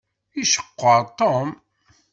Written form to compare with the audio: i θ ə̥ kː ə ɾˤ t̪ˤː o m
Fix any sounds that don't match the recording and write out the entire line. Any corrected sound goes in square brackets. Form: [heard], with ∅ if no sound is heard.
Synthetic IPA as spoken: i [ʃ] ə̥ [qː] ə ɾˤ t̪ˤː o m